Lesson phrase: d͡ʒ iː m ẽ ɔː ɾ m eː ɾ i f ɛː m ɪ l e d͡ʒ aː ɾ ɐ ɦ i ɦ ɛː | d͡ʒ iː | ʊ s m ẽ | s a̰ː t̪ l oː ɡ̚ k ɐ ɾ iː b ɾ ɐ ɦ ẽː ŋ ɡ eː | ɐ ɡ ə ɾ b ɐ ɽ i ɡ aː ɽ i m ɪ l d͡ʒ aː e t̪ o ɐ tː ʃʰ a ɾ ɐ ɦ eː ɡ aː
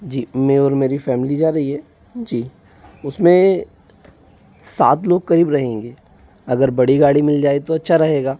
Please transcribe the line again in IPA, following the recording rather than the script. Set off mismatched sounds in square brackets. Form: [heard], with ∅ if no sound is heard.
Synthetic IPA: d͡ʒ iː m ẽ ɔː ɾ m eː ɾ i f ɛː m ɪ l [i] d͡ʒ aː ɾ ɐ ɦ i ɦ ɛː | d͡ʒ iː | ʊ s m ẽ | s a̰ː t̪ l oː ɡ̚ k ɐ ɾ iː b ɾ ɐ ɦ ẽː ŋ ɡ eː | ɐ ɡ ə ɾ b ɐ ɽ i ɡ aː ɽ i m ɪ l d͡ʒ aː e t̪ o ɐ tː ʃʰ a ɾ ɐ ɦ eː ɡ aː

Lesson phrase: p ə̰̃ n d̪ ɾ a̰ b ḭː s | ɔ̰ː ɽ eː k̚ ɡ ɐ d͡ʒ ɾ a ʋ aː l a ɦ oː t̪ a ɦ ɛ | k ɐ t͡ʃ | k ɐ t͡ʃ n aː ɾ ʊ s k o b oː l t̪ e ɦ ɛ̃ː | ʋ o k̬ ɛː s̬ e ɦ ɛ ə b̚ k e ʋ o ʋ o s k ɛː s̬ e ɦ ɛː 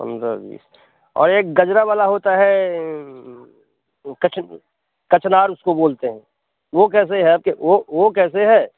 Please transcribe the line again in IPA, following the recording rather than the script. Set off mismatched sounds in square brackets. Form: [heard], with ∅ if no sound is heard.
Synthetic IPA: p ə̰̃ n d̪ ɾ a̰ b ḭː s | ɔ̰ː [ɾ] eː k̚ ɡ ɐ d͡ʒ ɾ a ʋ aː l a ɦ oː t̪ a ɦ ɛ | k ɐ t͡ʃ | k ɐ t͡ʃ n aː ɾ ʊ s k o b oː l t̪ e ɦ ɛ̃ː | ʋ o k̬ ɛː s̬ e ɦ ɛ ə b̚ k e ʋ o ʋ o [∅] k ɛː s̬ e ɦ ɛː

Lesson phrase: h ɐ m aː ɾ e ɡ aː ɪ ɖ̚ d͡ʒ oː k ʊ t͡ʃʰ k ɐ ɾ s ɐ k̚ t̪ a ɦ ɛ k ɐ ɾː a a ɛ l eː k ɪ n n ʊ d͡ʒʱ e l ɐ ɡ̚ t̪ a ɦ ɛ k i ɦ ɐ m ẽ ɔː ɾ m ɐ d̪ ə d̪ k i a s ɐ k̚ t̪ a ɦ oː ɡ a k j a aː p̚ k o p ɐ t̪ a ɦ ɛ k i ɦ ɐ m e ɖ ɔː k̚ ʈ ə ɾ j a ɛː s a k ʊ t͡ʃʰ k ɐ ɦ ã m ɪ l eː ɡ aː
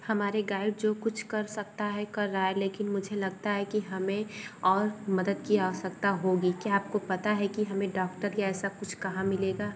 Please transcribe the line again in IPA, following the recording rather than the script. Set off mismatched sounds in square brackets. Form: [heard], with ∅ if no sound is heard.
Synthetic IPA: h ɐ m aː ɾ e ɡ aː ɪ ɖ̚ d͡ʒ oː k ʊ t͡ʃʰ k ɐ ɾ s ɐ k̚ t̪ a ɦ ɛ k ɐ ɾː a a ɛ l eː k ɪ n [m] ʊ d͡ʒʱ e l ɐ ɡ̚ t̪ a ɦ ɛ k i ɦ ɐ m ẽ ɔː ɾ m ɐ d̪ ə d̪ k i a s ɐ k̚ t̪ a ɦ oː ɡ [i] k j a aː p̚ k o p ɐ t̪ a ɦ ɛ k i ɦ ɐ m [ẽ] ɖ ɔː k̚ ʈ ə ɾ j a ɛː s a k ʊ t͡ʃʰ k ɐ ɦ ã m ɪ l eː ɡ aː

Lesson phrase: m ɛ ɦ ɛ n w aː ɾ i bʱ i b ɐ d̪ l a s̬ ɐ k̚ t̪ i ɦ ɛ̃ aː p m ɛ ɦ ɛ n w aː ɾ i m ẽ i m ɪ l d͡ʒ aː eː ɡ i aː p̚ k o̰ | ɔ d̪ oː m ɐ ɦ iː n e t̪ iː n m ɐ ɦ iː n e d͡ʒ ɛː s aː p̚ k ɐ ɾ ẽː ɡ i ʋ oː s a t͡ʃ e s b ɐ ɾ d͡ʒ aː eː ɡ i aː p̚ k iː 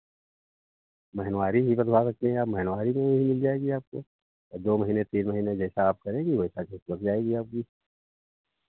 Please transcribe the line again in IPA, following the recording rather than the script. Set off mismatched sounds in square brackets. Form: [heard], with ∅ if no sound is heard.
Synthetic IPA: m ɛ ɦ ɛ n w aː ɾ i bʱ i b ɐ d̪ l a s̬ ɐ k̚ t̪ [e] ɦ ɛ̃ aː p m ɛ ɦ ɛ n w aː ɾ i m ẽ i m ɪ l d͡ʒ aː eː ɡ i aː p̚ k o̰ | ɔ d̪ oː m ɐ ɦ iː n e t̪ iː n m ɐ ɦ iː n e d͡ʒ ɛː s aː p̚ k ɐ ɾ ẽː ɡ i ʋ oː s a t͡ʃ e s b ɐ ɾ d͡ʒ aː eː ɡ i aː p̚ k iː

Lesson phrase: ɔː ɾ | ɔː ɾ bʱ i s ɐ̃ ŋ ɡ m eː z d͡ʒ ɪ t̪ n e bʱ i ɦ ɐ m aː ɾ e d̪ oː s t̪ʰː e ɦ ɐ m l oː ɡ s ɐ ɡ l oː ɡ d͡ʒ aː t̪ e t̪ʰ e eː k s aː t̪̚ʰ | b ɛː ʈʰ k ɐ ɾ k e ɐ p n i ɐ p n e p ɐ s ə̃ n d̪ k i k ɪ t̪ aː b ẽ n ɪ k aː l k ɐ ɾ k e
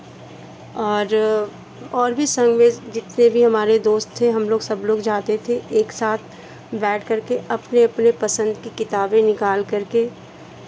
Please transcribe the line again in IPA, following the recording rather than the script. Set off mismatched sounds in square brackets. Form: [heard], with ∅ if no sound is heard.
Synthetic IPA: ɔː ɾ | ɔː ɾ bʱ i s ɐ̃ ŋ ɡ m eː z d͡ʒ ɪ t̪ n e bʱ i ɦ ɐ m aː ɾ e d̪ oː s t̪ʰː e ɦ ɐ m l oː ɡ s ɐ [b] l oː ɡ d͡ʒ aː t̪ e t̪ʰ e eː k s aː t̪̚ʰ | b ɛː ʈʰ k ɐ ɾ k e ɐ p n [e] ɐ p n e p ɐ s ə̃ n d̪ k i k ɪ t̪ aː b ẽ n ɪ k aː l k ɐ ɾ k e

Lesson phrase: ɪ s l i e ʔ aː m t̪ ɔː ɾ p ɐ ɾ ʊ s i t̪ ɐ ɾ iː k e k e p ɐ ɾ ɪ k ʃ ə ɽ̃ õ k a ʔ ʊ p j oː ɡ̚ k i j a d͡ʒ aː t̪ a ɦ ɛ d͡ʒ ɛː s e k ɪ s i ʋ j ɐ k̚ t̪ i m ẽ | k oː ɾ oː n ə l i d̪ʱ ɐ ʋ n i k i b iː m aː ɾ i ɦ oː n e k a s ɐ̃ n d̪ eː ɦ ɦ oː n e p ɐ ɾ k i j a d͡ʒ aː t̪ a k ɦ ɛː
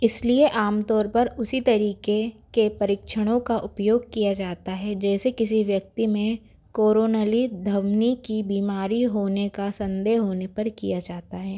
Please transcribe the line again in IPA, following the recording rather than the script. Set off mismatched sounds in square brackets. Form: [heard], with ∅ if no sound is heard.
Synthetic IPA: ɪ s l i e ʔ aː m t̪ ɔː ɾ p ɐ ɾ ʊ s i t̪ ɐ ɾ iː k e k e p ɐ ɾ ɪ k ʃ ə ɽ̃ õ k a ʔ ʊ p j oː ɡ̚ k i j a d͡ʒ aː t̪ a ɦ ɛ d͡ʒ ɛː s e k ɪ s i ʋ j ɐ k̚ t̪ i m ẽ | k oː ɾ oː n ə l i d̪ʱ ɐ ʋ n i k i b iː m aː ɾ i ɦ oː n e k a s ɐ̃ n d̪ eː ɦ ɦ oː n e p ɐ ɾ k i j a d͡ʒ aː t̪ a [∅] ɦ ɛː

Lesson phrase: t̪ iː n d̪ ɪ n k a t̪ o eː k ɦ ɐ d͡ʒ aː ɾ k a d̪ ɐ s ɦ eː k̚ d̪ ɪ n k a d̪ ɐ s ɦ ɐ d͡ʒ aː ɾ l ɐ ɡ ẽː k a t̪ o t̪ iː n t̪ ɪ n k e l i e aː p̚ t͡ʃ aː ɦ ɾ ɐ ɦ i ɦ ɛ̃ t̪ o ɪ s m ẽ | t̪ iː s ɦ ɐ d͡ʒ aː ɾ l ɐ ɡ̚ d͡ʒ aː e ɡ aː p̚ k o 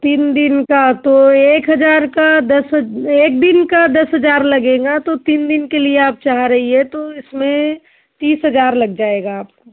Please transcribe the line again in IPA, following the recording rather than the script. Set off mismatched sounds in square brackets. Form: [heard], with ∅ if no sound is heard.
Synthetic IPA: t̪ iː n d̪ ɪ n k a t̪ o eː k ɦ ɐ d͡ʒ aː ɾ k a d̪ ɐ s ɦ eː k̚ d̪ ɪ n k a d̪ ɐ s ɦ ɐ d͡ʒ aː ɾ l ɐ ɡ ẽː [ɡ] a t̪ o t̪ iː n [d̪] ɪ n k e l i e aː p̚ t͡ʃ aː ɦ ɾ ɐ ɦ i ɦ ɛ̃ t̪ o ɪ s m ẽ | t̪ iː s ɦ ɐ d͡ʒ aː ɾ l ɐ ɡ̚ d͡ʒ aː e ɡ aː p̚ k o

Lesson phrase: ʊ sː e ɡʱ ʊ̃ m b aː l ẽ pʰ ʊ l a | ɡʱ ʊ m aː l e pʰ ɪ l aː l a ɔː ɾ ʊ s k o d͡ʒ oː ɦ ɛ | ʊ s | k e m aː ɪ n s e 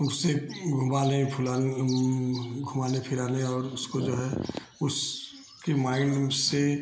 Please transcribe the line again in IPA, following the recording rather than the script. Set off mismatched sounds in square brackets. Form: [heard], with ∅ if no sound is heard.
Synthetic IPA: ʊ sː e ɡʱ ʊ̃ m b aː l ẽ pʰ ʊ l a | ɡʱ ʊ m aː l e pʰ ɪ [ɾ] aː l [e] ɔː ɾ ʊ s k o d͡ʒ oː ɦ ɛ | ʊ s | k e m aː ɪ n s e

